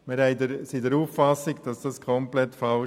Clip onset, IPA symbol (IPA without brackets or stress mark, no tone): m